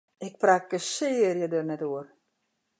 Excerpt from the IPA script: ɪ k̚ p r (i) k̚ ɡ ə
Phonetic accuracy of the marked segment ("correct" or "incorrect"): incorrect